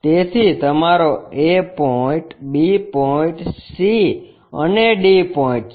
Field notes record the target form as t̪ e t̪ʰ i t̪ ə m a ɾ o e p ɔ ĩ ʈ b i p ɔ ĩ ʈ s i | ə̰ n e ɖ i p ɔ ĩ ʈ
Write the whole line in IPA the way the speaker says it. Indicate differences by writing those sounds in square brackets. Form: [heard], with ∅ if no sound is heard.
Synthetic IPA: t̪ e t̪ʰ i t̪ ə m a ɾ o e p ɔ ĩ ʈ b i p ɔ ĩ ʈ s i | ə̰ n e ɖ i p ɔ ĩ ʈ

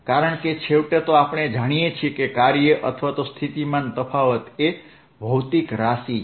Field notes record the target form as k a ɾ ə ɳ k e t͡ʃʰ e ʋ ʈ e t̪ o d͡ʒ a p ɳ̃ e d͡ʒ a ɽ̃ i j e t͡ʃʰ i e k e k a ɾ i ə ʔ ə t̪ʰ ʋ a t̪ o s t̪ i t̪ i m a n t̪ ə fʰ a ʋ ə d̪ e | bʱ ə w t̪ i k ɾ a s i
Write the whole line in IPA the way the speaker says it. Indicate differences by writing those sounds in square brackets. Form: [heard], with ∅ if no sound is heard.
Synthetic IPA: k a ɾ ə ɳ k e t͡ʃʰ e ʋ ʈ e t̪ o [∅] a p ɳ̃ e d͡ʒ a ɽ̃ i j e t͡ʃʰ i e k e k a ɾ [j] ə ʔ ə t̪ʰ ʋ a t̪ o s [t̪ʰ] i t̪ i m a n t̪ ə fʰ a ʋ ə [t̪] e | bʱ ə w t̪ i k ɾ a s i

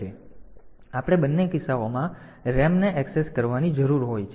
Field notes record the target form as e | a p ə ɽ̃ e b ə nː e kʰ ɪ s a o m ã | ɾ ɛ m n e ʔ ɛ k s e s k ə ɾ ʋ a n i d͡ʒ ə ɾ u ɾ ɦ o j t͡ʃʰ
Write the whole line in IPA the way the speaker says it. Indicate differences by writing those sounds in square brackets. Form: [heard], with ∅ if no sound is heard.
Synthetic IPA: e | a p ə ɽ̃ e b ə nː e [k] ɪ s a o m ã | ɾ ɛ m n e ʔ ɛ k s e s k ə ɾ ʋ a n i d͡ʒ ə ɾ u ɾ ɦ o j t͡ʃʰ

